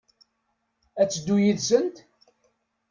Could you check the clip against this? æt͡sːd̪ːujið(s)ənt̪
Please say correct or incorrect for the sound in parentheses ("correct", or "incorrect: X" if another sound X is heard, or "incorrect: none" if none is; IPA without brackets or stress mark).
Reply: correct